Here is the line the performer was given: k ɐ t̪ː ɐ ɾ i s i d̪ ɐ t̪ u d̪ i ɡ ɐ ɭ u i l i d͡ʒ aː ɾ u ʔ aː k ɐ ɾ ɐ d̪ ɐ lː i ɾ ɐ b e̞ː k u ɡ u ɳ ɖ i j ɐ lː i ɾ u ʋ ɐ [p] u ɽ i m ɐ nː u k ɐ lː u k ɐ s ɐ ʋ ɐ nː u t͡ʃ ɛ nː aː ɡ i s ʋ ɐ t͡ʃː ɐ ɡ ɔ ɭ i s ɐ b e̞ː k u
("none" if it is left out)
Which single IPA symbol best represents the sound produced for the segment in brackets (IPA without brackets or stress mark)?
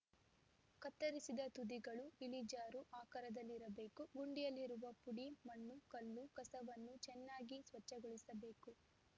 p